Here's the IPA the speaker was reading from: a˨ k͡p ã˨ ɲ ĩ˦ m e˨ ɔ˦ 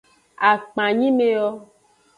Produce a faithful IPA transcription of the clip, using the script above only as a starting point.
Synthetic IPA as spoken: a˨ k͡p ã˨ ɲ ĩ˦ m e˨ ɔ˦